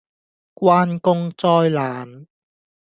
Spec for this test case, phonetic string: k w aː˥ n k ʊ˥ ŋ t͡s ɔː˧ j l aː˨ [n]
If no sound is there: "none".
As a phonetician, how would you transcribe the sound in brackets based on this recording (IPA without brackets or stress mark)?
n